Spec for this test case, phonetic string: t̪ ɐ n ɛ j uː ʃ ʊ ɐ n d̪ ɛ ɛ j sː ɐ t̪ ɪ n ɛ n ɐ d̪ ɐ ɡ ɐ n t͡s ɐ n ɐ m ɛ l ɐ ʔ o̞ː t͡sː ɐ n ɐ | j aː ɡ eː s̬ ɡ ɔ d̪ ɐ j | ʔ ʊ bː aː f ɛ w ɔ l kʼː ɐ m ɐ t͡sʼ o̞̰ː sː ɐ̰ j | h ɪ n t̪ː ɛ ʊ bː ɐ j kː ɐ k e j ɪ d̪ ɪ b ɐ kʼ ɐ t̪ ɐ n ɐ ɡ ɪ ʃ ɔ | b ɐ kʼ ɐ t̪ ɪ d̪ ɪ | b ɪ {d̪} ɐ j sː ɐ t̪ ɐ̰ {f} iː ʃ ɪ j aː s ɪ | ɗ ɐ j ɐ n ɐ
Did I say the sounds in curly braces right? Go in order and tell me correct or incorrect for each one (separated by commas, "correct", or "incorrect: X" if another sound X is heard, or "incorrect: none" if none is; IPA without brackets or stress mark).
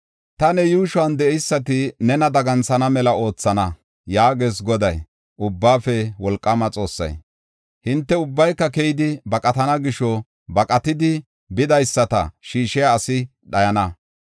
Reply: correct, incorrect: ʃ